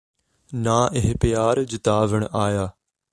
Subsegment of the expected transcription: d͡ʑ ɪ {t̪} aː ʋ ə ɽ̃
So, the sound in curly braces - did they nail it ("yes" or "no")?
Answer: yes